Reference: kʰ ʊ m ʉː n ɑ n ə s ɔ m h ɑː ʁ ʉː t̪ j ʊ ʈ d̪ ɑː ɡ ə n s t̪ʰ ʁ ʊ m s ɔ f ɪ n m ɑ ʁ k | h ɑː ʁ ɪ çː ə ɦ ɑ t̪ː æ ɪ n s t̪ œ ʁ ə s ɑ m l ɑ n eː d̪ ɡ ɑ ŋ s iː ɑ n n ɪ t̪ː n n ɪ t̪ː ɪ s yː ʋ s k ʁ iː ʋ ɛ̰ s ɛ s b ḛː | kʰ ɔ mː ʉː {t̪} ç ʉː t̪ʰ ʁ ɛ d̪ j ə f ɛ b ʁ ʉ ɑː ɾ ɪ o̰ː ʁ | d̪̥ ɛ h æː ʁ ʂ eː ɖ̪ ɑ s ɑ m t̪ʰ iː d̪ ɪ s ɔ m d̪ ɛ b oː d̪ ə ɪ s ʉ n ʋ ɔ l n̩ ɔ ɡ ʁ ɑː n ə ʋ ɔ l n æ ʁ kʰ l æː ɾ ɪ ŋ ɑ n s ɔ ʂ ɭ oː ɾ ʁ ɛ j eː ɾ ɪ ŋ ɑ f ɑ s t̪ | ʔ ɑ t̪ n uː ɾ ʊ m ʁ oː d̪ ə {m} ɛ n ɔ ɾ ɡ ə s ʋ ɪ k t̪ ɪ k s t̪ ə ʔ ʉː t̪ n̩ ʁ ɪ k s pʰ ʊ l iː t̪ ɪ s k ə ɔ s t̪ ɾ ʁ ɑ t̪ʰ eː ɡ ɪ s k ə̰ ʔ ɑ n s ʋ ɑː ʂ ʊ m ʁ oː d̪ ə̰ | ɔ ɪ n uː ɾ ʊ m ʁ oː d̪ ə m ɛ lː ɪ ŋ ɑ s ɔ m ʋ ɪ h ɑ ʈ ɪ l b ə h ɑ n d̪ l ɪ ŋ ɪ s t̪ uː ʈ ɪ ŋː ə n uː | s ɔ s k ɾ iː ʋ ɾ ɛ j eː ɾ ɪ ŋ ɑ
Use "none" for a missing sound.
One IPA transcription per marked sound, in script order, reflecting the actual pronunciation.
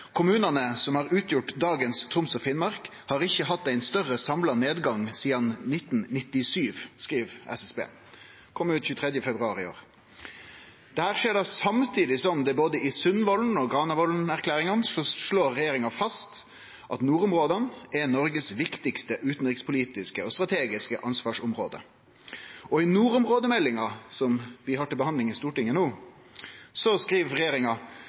t̪, n

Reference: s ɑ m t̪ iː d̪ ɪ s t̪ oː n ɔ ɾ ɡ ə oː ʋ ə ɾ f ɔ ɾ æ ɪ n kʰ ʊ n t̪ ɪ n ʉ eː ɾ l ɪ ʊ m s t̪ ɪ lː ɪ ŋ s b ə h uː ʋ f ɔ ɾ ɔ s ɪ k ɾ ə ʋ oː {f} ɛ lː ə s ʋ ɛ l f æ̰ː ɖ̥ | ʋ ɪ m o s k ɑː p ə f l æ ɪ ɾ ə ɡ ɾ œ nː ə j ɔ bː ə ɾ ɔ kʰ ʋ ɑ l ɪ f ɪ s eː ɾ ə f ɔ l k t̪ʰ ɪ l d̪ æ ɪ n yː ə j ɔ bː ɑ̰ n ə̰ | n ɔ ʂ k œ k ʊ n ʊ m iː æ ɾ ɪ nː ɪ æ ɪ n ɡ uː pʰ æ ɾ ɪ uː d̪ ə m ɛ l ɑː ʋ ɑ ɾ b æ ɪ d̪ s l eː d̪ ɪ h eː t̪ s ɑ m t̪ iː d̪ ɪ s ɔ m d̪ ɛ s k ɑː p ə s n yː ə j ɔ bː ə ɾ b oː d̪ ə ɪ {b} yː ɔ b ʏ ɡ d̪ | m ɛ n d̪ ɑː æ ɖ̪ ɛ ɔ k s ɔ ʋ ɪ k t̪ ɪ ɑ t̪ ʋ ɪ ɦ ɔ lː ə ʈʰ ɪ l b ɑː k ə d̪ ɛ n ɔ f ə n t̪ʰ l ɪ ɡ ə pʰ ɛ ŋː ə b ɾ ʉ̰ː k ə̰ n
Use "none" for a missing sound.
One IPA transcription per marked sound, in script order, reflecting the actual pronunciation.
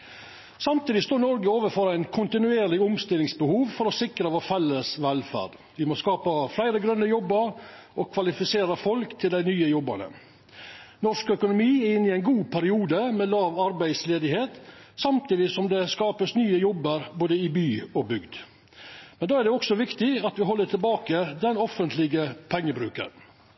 f, b

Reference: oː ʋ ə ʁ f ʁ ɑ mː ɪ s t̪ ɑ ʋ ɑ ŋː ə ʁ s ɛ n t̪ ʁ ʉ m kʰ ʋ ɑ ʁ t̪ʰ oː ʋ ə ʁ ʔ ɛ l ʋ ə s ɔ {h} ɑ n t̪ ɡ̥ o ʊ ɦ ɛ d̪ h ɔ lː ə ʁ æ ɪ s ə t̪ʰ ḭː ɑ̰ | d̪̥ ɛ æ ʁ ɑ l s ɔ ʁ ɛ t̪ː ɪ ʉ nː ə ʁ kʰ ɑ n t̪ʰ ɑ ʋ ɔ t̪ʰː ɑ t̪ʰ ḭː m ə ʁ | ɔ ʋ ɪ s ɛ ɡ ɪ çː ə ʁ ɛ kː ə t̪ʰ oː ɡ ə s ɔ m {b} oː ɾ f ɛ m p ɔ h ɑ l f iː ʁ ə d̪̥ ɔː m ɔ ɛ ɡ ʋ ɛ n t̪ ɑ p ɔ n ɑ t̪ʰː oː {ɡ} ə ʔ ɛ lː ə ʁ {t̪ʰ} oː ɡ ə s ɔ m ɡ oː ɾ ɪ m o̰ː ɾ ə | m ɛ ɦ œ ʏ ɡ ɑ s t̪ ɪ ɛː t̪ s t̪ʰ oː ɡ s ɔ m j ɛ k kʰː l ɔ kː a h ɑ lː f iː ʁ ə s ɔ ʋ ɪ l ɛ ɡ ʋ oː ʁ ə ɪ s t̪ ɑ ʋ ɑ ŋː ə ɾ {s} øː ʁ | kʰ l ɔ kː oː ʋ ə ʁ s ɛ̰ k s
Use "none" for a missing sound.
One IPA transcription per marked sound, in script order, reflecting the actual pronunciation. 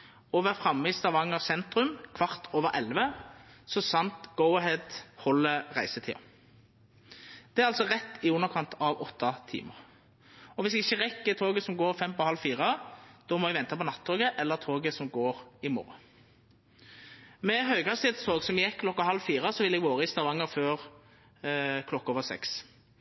s, ɡ, ɡ, t̪ʰ, f

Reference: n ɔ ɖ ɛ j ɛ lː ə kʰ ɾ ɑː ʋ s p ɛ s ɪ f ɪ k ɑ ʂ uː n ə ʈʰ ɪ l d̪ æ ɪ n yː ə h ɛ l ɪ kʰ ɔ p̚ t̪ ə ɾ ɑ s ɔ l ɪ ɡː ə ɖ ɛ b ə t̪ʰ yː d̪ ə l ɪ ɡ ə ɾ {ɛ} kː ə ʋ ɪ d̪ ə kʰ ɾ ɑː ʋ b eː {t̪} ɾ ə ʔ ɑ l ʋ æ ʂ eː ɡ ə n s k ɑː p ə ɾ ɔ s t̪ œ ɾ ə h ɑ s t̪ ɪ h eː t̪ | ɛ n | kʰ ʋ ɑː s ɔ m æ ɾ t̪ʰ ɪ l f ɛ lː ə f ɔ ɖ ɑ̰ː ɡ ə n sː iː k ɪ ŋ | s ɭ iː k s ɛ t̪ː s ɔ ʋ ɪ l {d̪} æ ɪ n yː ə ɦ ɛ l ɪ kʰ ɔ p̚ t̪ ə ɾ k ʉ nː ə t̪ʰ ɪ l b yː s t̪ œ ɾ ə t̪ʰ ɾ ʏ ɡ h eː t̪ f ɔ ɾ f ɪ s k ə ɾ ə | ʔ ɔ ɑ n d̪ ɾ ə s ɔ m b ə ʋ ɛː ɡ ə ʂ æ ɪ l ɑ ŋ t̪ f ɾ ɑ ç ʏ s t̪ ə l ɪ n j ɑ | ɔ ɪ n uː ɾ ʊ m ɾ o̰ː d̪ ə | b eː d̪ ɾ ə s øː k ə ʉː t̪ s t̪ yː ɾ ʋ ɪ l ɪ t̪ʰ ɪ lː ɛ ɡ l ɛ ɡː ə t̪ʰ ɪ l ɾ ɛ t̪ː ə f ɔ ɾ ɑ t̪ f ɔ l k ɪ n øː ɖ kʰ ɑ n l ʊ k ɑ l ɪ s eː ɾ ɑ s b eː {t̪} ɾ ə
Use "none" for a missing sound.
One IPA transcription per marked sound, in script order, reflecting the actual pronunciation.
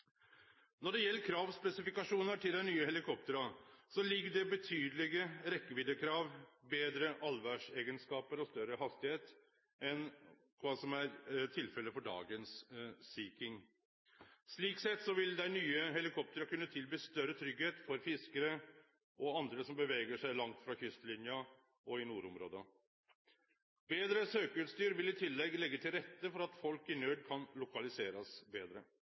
ɛ, d̪, d̪, d̪

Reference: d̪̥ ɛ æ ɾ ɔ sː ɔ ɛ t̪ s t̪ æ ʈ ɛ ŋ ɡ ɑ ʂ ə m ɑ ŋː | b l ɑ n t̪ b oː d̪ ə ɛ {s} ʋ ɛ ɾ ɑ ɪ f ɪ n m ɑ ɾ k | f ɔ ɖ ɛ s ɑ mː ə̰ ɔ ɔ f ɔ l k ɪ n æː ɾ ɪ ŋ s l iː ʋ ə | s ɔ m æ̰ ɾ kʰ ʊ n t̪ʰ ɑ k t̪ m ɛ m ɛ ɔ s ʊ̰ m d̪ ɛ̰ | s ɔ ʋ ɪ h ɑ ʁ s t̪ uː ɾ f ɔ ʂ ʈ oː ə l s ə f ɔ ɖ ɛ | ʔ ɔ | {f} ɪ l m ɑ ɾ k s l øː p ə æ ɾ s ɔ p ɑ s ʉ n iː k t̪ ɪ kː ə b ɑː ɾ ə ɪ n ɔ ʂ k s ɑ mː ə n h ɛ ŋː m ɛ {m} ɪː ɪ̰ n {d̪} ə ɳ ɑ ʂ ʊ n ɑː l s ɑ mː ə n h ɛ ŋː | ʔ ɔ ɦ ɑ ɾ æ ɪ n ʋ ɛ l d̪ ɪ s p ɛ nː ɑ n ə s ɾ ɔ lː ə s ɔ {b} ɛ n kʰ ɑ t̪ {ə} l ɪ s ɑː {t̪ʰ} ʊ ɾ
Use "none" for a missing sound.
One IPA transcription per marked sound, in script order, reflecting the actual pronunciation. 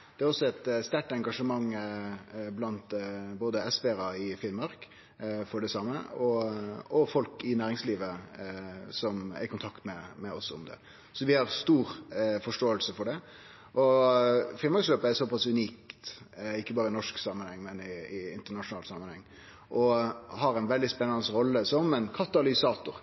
s, f, n, t̪, m, ɑ, t̪

